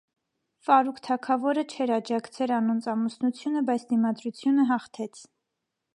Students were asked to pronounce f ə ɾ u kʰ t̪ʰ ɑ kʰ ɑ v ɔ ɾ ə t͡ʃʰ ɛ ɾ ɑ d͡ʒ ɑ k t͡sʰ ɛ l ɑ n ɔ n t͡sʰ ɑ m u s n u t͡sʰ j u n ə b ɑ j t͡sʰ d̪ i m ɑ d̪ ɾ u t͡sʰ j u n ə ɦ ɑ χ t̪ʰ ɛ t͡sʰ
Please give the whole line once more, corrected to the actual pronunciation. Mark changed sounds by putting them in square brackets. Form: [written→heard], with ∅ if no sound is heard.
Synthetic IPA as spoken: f [ə→ɑ] ɾ u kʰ t̪ʰ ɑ kʰ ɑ v ɔ ɾ ə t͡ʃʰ ɛ ɾ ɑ d͡ʒ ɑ k t͡sʰ ɛ l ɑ n ɔ n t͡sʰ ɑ m u s n u t͡sʰ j u n ə b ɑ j t͡sʰ d̪ i m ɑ d̪ ɾ u t͡sʰ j u n ə ɦ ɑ χ t̪ʰ ɛ t͡sʰ